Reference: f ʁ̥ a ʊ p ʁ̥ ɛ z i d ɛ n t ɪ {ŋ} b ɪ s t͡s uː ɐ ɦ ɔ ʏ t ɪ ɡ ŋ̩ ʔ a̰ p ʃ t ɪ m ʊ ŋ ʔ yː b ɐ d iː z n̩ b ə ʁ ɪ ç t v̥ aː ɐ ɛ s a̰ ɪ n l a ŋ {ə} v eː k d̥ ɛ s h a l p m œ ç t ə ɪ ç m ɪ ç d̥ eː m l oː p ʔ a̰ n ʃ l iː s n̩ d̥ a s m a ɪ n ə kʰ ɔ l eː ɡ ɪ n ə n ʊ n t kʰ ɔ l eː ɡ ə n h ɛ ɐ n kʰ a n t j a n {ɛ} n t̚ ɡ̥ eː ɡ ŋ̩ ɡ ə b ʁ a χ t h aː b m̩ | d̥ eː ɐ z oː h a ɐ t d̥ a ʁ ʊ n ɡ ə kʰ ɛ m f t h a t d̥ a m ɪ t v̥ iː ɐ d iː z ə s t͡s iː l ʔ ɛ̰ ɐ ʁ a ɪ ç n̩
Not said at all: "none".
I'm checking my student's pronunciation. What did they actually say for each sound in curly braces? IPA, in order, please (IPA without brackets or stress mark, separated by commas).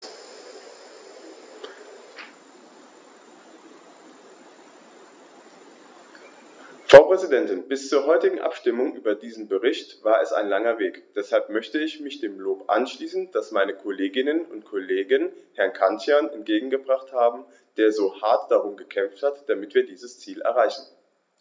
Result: n, ɐ, ɛ